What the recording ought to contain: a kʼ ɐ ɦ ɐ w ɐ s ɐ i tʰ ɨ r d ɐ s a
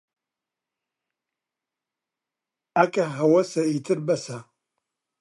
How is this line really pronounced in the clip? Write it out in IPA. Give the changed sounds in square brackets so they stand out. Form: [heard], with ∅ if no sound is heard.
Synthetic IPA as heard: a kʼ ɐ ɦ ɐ w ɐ s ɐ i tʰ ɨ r [b] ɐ s a